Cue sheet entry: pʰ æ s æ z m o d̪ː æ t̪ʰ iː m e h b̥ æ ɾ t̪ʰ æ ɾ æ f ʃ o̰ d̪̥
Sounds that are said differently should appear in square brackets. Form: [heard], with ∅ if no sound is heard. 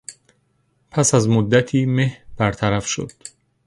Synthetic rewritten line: pʰ æ s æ z m o d̪ː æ t̪ʰ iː m e h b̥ æ ɾ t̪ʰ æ ɾ æ f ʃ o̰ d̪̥

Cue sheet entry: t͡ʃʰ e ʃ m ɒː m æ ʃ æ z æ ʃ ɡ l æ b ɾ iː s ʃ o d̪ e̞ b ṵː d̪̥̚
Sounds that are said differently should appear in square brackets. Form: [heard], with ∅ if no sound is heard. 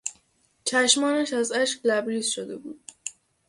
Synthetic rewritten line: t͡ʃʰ [æ] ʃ m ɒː [n] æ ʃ æ z æ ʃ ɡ l æ b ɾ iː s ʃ o d̪ e̞ b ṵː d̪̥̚

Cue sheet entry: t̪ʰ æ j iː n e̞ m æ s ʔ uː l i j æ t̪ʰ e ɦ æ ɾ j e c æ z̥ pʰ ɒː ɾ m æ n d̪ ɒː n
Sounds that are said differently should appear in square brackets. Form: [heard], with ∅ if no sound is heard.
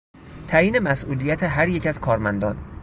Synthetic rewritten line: t̪ʰ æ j iː n e̞ m æ s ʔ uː l i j æ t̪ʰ e ɦ æ ɾ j e c æ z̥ [kʰ] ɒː ɾ m æ n d̪ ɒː n

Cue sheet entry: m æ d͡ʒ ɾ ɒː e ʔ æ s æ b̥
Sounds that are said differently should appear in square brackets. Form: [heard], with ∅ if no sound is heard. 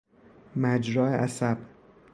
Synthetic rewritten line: m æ d͡ʒ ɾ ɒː e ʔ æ s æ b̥

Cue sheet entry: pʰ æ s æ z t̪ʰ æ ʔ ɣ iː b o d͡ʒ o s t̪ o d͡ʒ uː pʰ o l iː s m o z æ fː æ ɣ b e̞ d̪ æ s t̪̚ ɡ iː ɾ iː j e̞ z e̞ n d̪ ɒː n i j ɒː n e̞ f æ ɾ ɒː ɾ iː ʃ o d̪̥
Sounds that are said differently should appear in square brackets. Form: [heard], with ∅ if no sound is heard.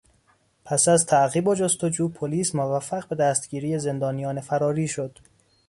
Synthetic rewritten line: pʰ æ s æ z t̪ʰ æ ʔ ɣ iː b o d͡ʒ o s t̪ o d͡ʒ uː pʰ o l iː s m o [v] æ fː æ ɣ b e̞ d̪ æ s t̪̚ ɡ iː ɾ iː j e̞ z e̞ n d̪ ɒː n i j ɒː n e̞ f æ ɾ ɒː ɾ iː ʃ o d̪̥

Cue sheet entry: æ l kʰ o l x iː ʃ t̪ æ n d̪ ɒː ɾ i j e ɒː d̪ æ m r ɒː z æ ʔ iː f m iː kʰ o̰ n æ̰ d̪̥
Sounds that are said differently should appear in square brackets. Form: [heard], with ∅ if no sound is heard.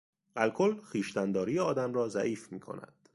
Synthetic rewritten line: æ l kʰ o l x iː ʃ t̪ æ n d̪ ɒː ɾ i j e ɒː d̪ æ m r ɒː z æ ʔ iː f m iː kʰ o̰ n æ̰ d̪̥

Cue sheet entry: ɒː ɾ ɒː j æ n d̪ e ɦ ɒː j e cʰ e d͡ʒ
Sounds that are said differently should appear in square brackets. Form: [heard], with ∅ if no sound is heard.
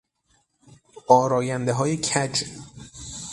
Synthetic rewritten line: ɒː ɾ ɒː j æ n d̪ e ɦ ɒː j e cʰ [æ] d͡ʒ

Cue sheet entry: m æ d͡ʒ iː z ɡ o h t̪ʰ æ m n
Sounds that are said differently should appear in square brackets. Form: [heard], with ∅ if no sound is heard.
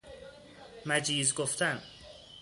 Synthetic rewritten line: m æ d͡ʒ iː z ɡ o [f] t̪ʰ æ [∅] n

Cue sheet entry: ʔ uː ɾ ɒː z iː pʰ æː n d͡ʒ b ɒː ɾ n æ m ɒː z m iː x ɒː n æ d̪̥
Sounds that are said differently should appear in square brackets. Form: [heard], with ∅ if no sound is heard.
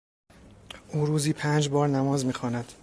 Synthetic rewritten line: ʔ uː ɾ [uː] z iː pʰ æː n d͡ʒ b ɒː ɾ n æ m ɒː z m iː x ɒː n æ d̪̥

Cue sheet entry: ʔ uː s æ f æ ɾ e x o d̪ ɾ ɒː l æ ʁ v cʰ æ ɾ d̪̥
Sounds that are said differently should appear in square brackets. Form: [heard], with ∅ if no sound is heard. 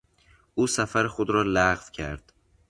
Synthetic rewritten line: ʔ uː s æ f æ ɾ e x o d̪ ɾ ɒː l æ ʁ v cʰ æ ɾ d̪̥

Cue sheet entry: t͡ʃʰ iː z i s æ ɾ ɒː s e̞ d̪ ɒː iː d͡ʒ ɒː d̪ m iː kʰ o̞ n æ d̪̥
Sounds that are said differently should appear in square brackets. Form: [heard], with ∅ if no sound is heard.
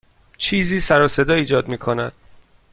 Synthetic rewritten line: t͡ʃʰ iː z [iː] s æ ɾ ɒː s e̞ d̪ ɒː iː d͡ʒ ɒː d̪ m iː kʰ o̞ n æ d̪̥

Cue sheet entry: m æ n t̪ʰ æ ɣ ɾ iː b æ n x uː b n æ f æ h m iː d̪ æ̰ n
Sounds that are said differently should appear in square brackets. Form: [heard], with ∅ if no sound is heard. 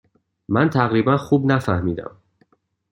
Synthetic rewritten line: m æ n t̪ʰ æ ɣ ɾ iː b æ n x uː b n æ f æ h m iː d̪ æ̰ [m]

